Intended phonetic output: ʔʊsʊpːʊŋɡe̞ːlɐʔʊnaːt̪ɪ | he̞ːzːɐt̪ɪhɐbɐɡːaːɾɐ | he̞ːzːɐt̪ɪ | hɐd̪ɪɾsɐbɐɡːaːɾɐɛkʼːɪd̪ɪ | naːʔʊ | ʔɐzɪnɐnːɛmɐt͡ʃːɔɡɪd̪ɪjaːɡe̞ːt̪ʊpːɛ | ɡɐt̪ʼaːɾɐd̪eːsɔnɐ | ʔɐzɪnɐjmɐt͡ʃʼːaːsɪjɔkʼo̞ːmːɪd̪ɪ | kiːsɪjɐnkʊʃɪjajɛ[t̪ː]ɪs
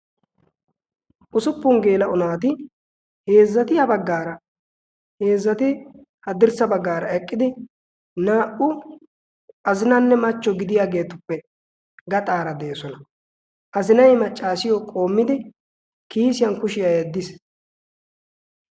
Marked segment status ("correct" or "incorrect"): incorrect